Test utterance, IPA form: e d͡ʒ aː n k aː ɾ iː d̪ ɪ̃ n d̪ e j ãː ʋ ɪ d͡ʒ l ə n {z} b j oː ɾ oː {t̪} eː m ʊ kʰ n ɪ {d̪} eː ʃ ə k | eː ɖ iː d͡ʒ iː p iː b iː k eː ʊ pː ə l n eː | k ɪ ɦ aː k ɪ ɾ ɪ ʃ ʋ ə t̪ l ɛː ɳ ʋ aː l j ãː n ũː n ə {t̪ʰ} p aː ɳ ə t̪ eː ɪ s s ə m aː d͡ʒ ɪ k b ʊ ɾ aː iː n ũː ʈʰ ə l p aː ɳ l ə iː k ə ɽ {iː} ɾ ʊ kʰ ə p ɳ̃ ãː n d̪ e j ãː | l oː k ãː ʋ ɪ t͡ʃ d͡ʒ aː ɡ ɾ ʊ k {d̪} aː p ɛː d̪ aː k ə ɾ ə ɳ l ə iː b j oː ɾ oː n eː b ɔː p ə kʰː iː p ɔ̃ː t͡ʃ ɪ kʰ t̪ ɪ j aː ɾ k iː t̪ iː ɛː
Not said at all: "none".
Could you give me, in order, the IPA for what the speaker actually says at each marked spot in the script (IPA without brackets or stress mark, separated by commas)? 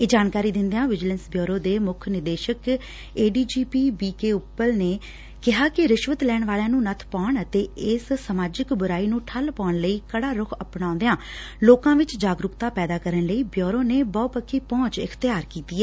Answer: s, d̪, d̪, t̪ʰ, aː, t̪